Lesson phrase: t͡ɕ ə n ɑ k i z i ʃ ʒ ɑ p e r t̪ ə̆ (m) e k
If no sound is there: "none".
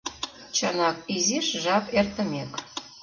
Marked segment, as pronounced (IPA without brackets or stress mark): m